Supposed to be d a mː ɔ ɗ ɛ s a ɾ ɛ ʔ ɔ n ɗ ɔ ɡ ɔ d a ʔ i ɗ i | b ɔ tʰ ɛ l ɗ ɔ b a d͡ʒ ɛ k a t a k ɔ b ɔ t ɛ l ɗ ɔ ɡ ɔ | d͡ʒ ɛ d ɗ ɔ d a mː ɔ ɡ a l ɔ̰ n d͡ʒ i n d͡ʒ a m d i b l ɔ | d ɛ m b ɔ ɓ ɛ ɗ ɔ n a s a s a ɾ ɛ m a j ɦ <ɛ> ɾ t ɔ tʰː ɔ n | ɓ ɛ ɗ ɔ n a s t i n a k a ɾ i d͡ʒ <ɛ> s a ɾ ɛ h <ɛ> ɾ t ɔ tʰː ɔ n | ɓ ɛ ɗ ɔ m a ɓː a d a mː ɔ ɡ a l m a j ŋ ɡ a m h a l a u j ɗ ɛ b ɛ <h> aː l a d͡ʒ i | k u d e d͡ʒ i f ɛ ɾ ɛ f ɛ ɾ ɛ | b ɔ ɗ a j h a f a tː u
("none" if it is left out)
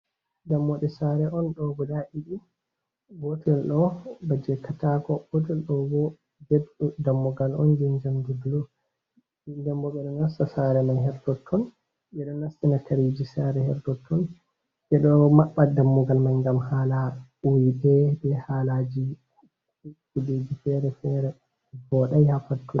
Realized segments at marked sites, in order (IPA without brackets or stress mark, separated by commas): ɛ, i, ɛ, h